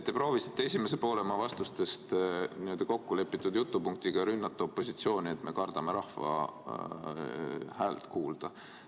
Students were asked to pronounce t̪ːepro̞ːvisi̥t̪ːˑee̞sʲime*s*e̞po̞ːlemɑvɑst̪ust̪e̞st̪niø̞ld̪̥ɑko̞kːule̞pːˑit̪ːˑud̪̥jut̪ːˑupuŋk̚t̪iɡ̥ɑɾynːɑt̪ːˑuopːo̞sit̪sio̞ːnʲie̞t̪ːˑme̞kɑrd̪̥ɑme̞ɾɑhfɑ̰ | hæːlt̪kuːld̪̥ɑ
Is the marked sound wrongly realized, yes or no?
no